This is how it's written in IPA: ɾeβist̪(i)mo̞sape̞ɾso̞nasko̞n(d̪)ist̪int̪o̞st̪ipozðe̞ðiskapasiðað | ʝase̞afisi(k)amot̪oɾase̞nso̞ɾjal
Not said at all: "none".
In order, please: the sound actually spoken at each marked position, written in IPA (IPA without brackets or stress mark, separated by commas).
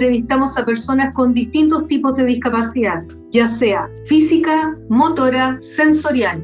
a, d̪, k